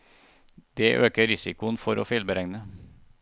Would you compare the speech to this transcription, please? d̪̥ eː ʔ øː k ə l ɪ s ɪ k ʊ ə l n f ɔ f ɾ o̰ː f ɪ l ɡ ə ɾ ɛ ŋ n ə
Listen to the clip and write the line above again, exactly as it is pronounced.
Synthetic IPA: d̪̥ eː ʔ øː k ə ɾ ɪ s ɪ k ʊ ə n f ɔ ɾ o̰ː f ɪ l b ə ɾ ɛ ŋ n ə